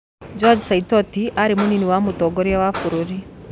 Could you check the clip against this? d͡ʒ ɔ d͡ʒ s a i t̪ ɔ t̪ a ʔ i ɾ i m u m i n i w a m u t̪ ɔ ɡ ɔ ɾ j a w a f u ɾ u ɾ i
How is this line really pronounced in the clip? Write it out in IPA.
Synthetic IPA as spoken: d͡ʒ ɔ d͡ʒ s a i t̪ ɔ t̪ i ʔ a ɾ i m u n i n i w a m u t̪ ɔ ɡ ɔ ɾ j a w a f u ɾ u ɾ i